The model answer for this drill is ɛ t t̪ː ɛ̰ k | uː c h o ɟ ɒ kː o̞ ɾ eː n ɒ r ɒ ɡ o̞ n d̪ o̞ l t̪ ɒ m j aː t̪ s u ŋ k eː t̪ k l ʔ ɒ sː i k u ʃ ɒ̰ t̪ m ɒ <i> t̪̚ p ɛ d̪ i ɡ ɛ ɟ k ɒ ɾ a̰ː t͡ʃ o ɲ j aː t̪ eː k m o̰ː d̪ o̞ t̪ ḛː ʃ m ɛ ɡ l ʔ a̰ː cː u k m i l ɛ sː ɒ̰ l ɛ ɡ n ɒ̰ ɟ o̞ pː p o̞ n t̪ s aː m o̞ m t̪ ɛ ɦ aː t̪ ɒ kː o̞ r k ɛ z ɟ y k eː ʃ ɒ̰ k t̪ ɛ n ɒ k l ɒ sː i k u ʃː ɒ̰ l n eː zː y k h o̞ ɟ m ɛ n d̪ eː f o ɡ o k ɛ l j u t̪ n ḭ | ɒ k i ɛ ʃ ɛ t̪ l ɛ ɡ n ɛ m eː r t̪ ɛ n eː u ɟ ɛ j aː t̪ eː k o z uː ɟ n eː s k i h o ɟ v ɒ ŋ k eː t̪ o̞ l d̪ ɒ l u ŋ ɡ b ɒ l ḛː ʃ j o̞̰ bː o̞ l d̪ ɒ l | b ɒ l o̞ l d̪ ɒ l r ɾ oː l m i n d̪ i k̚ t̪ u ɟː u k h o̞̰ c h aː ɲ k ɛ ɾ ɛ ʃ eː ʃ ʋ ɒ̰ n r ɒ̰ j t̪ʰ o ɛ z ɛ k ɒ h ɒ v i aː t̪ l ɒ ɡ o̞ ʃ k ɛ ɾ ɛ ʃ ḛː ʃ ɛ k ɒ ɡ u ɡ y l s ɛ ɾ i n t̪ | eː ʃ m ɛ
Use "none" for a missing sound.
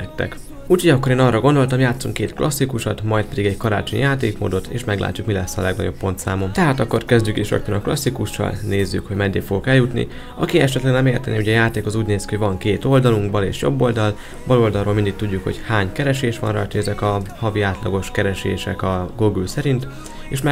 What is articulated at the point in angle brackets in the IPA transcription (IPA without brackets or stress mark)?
j